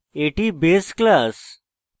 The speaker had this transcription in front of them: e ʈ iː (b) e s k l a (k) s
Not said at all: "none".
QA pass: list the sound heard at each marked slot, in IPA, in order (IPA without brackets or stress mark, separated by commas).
b, none